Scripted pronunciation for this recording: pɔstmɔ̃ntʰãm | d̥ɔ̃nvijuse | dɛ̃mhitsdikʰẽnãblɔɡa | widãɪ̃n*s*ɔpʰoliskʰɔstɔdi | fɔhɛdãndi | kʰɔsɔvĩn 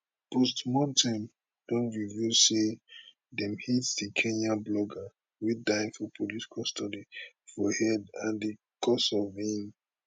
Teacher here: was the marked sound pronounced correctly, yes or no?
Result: no